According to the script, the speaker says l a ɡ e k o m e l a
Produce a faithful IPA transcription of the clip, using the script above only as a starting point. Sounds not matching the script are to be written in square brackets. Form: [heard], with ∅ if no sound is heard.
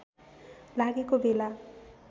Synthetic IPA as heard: l a ɡ e k o [b] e l a